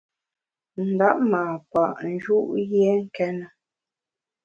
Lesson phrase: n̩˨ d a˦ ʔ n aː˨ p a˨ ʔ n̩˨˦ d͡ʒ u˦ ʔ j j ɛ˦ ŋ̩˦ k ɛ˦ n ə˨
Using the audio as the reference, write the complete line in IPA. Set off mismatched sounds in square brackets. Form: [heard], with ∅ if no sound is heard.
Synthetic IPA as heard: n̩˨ d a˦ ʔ [m] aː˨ p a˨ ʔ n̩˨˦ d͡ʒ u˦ ʔ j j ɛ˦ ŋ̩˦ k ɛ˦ n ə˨

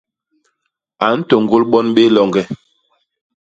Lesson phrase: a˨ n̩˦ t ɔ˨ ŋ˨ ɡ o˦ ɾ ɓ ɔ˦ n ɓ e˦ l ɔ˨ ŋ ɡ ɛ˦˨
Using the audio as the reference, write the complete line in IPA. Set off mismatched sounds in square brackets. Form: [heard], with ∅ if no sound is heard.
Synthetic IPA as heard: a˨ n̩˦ t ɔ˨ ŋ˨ ɡ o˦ [l] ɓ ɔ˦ n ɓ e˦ l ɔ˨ ŋ ɡ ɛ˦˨

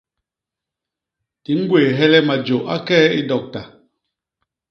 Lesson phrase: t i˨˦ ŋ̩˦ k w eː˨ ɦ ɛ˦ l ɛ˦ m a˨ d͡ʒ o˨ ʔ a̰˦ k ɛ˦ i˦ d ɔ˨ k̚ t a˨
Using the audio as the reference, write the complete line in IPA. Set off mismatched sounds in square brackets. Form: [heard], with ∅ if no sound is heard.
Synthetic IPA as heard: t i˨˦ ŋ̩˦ [ɡ] w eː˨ ɦ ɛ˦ l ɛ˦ m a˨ d͡ʒ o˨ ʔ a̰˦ k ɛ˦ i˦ d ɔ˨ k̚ t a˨

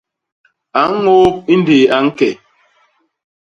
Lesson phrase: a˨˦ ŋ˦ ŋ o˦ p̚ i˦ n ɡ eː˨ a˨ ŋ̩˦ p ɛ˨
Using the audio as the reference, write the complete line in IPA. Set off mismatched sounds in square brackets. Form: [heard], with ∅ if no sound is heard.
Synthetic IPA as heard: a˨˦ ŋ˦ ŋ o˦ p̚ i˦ n [d] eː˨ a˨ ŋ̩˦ [k] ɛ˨

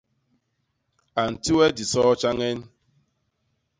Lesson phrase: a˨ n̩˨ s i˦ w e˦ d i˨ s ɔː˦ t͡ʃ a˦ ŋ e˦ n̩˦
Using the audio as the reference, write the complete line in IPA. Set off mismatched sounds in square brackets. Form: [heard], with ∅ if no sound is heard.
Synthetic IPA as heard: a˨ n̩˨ [t] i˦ w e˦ d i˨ s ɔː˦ t͡ʃ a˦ ŋ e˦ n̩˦

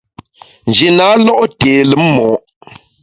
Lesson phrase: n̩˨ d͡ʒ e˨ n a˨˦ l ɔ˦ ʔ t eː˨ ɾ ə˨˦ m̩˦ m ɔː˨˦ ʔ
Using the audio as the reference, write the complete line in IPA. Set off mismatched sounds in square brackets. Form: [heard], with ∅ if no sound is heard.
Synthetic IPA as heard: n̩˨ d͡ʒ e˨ n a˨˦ l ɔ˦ ʔ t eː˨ [l] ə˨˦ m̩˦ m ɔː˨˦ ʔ

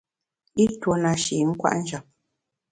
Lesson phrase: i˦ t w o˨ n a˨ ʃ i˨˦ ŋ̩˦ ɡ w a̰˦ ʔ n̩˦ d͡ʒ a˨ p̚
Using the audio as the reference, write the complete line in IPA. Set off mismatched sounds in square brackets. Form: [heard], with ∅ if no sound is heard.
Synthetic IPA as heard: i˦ t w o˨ n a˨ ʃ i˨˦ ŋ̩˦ [k] w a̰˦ ʔ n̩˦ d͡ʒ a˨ p̚

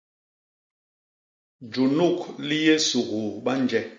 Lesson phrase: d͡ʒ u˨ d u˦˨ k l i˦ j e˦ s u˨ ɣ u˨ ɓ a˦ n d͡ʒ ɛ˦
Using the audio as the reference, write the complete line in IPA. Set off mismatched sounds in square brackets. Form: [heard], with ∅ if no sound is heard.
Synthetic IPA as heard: d͡ʒ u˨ [n] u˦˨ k l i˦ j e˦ s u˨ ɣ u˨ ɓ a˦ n d͡ʒ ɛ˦

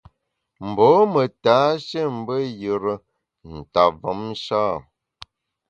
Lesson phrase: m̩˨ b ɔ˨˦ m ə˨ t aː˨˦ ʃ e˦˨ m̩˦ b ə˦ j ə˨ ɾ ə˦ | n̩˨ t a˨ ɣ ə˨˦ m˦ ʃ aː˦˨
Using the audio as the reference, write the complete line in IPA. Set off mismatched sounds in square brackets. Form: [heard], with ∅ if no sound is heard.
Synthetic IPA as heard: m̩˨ b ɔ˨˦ m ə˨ t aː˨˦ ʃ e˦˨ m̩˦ b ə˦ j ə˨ ɾ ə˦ | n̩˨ t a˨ [v] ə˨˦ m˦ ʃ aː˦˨

